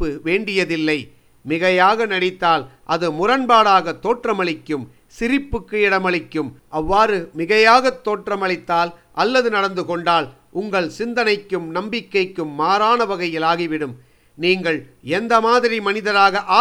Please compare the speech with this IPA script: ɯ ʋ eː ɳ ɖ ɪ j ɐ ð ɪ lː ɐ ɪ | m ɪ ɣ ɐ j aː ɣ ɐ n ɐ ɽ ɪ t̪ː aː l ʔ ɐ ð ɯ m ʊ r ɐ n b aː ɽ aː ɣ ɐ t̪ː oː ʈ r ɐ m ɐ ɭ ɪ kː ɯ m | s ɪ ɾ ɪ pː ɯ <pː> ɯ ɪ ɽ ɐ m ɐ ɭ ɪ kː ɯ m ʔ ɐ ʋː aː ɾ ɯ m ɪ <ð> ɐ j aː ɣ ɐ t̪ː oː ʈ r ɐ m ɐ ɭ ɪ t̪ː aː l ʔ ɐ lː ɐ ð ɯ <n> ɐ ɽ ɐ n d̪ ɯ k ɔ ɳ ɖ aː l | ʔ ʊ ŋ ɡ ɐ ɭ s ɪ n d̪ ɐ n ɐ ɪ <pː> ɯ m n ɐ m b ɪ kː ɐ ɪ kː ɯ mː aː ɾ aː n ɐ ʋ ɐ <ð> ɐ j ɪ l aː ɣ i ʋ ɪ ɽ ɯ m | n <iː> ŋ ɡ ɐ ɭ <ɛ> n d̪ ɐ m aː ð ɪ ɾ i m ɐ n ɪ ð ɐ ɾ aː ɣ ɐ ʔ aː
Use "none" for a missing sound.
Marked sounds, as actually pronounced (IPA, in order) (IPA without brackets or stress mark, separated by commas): kː, ɣ, n, kː, ɣ, iː, ɛ